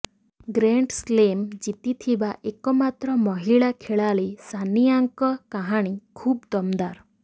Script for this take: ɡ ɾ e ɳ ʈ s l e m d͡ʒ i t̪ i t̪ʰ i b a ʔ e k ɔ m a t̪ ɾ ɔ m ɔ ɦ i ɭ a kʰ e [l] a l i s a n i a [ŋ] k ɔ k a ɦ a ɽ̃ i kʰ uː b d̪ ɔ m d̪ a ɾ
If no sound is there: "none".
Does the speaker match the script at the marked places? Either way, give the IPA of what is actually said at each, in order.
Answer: ɭ, ŋ

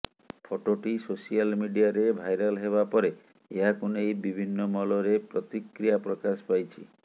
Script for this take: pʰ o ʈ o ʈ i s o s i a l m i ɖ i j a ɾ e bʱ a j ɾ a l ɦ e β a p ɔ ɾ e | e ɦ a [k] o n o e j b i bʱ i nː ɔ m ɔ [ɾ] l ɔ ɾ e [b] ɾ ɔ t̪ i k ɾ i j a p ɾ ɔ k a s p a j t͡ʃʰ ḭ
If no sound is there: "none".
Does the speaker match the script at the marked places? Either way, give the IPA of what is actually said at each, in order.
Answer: k, none, p

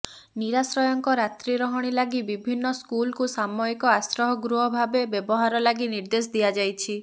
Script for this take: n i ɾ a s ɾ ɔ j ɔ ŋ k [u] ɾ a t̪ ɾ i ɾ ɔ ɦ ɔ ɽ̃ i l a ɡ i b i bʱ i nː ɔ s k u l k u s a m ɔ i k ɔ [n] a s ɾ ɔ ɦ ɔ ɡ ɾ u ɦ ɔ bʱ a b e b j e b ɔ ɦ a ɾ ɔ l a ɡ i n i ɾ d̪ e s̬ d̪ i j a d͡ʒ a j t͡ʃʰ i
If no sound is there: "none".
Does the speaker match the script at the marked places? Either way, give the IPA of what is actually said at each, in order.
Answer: ɔ, none

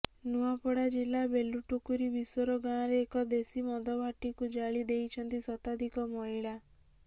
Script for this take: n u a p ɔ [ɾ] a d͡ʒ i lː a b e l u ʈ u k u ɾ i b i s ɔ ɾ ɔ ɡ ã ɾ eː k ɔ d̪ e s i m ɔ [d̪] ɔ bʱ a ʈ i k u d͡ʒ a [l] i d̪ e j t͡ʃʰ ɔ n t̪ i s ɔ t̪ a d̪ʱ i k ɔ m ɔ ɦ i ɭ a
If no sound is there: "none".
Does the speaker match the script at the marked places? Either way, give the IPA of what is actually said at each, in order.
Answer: ɽ, d̪, ɭ

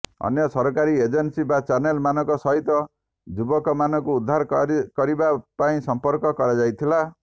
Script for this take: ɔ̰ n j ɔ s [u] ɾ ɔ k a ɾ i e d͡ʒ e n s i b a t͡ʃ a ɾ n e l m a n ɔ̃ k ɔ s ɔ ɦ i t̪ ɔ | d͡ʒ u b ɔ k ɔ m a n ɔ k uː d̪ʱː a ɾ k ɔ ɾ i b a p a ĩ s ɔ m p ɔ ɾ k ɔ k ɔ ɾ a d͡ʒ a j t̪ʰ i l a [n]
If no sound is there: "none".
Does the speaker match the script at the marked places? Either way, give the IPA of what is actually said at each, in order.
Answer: ɔ, none

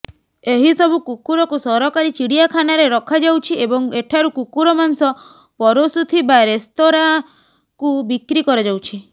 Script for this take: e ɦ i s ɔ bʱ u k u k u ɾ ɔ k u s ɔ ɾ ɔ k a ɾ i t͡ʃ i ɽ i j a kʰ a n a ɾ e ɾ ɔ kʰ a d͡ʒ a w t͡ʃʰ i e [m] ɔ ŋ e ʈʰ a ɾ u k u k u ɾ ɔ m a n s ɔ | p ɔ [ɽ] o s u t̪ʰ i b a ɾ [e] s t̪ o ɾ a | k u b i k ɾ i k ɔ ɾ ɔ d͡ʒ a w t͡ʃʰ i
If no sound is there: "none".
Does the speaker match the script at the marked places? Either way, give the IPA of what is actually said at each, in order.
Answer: b, ɾ, e

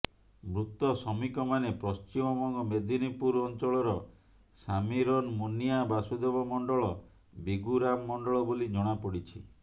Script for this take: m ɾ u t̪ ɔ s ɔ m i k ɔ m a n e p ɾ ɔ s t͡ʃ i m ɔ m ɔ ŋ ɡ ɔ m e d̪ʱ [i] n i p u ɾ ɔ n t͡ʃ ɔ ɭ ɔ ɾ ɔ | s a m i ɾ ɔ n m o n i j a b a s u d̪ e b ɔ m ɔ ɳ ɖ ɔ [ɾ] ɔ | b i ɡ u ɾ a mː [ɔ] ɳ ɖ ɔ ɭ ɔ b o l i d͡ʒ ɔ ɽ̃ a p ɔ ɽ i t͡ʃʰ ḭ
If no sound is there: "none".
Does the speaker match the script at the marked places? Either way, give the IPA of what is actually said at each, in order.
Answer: i, ɭ, ɔ

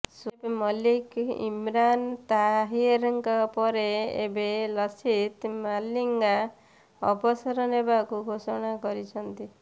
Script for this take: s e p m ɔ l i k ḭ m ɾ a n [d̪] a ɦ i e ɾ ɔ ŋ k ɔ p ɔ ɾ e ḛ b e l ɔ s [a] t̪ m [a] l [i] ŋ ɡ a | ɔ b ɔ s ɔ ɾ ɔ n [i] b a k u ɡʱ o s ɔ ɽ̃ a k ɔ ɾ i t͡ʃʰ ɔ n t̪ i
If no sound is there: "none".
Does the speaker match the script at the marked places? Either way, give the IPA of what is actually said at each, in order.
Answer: t̪, i, a, i, e

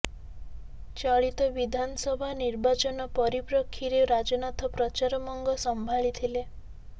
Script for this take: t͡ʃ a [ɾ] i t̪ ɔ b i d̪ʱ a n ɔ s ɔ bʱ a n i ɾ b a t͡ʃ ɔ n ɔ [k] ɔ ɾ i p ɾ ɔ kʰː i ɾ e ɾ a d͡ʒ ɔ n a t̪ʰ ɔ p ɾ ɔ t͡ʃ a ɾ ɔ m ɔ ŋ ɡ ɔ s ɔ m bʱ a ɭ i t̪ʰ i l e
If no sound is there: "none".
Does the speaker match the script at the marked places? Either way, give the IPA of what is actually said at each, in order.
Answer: ɭ, p

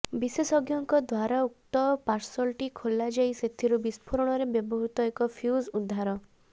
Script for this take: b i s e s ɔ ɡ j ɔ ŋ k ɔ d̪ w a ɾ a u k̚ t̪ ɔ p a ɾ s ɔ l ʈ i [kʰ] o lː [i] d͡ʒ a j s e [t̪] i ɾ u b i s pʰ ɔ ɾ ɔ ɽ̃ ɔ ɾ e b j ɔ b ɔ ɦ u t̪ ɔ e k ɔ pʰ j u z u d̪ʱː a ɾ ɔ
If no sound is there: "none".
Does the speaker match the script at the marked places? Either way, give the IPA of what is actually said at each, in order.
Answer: kʰ, a, t̪ʰ

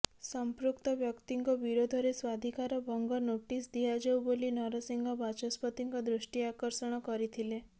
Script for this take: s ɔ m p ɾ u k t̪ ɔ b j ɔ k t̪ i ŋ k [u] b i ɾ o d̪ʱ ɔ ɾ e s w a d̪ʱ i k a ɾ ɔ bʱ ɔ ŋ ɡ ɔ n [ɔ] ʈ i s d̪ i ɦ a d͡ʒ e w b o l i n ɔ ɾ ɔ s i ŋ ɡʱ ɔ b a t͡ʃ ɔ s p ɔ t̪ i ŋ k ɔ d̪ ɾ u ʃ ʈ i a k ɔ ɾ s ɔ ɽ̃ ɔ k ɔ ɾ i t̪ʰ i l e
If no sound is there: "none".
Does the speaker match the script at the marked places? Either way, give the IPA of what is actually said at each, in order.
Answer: ɔ, o

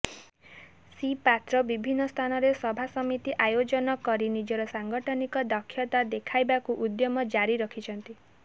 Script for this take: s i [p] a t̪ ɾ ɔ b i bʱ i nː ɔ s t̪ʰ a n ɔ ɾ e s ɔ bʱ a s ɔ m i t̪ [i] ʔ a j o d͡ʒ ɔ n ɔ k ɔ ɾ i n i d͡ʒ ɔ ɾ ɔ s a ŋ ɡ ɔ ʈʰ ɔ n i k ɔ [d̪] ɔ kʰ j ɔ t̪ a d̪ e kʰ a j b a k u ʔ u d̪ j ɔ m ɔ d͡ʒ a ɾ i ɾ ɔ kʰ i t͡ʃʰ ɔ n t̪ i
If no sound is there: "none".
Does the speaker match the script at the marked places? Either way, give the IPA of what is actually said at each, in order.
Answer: p, i, d̪

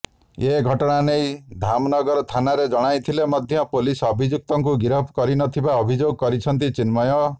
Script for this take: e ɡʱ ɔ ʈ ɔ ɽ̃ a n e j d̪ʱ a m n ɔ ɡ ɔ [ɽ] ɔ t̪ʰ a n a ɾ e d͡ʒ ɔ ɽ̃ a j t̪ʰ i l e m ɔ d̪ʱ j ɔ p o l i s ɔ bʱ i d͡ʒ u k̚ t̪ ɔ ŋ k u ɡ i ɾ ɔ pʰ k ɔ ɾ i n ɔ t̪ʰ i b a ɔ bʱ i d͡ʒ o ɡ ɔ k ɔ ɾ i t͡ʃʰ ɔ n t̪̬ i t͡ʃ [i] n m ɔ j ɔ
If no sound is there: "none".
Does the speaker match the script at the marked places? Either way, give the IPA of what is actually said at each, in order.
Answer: ɾ, i

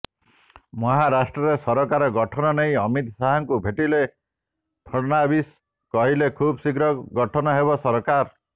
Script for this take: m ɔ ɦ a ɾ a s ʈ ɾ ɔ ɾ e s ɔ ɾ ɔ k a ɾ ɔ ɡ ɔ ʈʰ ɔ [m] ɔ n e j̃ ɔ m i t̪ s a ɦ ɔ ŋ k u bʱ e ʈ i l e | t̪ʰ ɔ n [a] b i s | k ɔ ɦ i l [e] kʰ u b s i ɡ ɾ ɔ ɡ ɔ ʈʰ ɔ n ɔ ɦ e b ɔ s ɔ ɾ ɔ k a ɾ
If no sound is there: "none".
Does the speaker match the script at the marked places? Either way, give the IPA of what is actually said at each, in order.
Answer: n, a, e

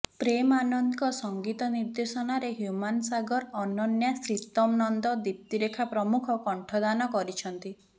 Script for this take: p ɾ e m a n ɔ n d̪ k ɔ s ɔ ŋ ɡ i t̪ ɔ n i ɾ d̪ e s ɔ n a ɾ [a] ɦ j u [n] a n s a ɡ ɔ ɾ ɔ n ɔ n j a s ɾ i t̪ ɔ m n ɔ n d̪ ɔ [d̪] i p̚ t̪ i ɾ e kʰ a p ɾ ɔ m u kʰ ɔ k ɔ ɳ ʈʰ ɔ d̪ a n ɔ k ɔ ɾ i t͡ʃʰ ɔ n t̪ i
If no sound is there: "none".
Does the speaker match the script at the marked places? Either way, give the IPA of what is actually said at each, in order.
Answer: e, m, d̪

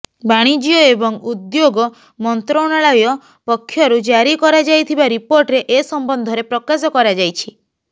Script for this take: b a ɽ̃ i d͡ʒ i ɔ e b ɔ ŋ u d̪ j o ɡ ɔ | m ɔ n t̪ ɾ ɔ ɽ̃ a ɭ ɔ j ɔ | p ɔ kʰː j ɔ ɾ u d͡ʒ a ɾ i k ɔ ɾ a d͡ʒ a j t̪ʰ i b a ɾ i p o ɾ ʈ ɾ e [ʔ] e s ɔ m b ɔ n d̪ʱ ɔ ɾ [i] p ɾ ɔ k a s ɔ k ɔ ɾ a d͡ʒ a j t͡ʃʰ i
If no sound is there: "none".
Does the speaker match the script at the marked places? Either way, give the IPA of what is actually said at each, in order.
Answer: ʔ, e

